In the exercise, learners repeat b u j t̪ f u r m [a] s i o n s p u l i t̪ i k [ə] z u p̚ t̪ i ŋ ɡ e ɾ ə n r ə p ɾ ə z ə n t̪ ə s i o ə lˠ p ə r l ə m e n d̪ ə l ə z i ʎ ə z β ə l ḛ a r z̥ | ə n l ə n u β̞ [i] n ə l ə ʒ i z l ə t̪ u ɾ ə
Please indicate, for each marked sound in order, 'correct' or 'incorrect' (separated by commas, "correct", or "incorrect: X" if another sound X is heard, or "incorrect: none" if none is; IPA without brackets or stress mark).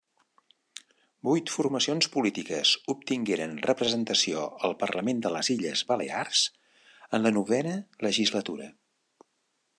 incorrect: ə, correct, incorrect: ɛ